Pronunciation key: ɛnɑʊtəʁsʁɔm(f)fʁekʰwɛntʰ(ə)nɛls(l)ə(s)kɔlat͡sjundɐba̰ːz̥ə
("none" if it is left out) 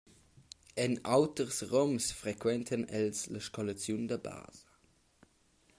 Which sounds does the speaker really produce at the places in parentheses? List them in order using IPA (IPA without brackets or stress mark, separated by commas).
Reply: s, ə, l, ʃ